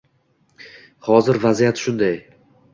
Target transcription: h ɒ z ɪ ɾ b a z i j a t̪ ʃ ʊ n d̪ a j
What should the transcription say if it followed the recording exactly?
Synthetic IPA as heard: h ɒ z ɪ ɾ v a z i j a t̪ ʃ ʊ n d̪ a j